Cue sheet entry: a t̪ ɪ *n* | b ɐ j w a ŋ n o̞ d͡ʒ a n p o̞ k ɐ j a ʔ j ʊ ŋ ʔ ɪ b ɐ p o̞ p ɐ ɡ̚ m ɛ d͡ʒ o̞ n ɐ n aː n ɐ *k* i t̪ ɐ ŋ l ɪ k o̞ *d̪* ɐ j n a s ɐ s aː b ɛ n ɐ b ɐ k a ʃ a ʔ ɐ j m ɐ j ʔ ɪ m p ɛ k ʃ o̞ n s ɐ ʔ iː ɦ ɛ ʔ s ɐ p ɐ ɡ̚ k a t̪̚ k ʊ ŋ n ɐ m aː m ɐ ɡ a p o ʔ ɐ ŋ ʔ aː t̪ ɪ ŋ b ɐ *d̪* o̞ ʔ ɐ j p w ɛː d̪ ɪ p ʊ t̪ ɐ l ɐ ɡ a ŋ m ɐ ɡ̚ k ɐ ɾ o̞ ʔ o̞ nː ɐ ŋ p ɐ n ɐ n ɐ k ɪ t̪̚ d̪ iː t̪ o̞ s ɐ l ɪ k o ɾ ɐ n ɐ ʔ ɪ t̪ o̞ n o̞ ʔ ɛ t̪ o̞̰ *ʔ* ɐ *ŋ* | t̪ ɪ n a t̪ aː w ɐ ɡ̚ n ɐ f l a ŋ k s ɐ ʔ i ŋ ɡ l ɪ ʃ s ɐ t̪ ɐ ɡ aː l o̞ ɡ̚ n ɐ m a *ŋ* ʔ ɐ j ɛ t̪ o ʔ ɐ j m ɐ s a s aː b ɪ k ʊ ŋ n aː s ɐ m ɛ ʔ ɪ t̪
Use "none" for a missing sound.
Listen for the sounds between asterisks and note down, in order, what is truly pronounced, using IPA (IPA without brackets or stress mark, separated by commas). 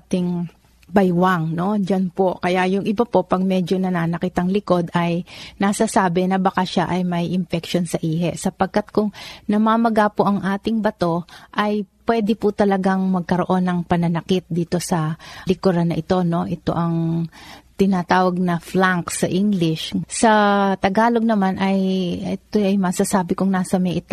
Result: ŋ, k, d̪, t̪, ʔ, ŋ, n